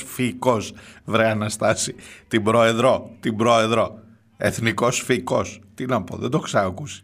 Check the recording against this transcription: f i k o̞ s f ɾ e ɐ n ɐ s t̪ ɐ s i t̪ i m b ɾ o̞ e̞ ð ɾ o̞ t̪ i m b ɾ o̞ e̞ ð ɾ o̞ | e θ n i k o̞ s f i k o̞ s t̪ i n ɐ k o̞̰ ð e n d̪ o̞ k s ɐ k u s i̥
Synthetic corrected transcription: f i k o̞ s v ɾ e ɐ n ɐ s t̪ ɐ s i t̪ i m b ɾ o̞ e̞ ð ɾ o̞ t̪ i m b ɾ o̞ e̞ ð ɾ o̞ | e θ n i k o̞ s f i k o̞ s t̪ i n ɐ p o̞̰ ð e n d̪ o̞ k s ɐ k u s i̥